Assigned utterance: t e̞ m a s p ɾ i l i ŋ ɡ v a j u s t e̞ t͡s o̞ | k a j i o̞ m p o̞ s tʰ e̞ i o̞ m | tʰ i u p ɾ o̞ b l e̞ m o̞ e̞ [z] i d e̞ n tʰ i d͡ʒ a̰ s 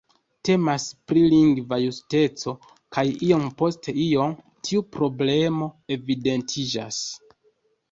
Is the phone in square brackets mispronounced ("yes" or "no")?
yes